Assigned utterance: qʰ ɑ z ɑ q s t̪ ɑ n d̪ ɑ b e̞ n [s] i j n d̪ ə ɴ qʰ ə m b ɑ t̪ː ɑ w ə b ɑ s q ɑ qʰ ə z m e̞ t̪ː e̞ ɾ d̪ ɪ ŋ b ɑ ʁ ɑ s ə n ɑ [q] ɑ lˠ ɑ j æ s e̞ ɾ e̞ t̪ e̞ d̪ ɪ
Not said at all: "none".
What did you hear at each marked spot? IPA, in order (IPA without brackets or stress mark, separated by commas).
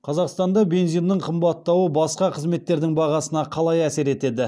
z, qʰ